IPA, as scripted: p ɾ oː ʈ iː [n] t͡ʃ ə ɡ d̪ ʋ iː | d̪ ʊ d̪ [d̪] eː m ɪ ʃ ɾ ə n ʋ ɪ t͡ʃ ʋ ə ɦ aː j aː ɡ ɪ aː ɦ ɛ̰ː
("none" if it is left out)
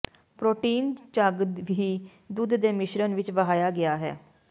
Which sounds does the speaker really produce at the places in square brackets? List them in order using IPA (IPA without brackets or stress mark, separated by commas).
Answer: n, d̪